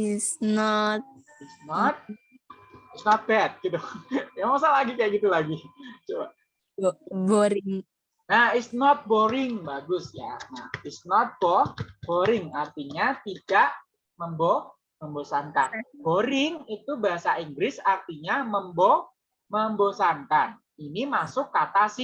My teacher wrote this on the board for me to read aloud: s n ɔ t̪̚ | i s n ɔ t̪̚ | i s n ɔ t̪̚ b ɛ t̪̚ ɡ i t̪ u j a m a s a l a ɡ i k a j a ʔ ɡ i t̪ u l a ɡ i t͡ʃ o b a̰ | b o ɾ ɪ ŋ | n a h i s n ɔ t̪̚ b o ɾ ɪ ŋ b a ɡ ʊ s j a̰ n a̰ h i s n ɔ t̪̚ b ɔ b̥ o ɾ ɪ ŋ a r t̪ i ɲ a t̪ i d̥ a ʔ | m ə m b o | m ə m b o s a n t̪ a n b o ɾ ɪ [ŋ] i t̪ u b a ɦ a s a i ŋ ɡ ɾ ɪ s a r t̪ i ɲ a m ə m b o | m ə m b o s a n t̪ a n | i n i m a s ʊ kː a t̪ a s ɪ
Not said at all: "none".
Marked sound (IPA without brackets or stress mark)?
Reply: ŋ